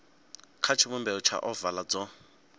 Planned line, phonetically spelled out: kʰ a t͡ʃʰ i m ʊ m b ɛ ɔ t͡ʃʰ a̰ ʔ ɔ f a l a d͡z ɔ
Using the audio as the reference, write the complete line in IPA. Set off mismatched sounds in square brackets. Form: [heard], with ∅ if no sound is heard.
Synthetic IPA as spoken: kʰ a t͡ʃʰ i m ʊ m b ɛ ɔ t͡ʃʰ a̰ ʔ ɔ [v] a l a d͡z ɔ

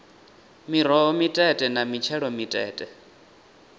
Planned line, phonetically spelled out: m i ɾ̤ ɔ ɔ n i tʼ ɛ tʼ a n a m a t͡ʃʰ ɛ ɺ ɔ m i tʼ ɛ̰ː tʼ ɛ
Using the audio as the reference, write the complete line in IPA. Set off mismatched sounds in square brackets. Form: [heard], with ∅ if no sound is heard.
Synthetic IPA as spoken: m i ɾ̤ ɔ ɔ [m] i tʼ ɛ tʼ [ɛ] n a m [i] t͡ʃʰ ɛ ɺ ɔ m i tʼ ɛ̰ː tʼ ɛ

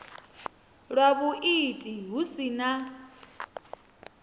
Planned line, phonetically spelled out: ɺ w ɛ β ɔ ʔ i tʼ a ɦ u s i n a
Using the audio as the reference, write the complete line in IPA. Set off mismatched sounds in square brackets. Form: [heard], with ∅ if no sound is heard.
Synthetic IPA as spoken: ɺ w [a] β [u] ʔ i tʼ [i] ɦ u s i n a

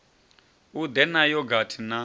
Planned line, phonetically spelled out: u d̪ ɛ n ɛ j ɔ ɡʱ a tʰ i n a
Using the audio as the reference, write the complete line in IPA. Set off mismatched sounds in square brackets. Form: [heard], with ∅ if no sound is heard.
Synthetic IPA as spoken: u d̪ ɛ n [a] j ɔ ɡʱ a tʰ i n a

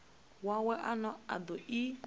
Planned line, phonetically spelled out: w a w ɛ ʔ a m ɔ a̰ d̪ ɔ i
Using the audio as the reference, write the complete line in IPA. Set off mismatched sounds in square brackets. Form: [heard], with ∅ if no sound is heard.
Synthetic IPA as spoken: w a w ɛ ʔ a [n] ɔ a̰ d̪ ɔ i

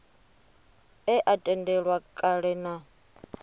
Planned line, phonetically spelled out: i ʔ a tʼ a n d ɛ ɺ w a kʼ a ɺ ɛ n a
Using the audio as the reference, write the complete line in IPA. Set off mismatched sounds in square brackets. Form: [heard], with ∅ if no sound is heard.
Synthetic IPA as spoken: [ɛ] ʔ a tʼ [ɛ] n d ɛ ɺ w a kʼ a ɺ ɛ n a

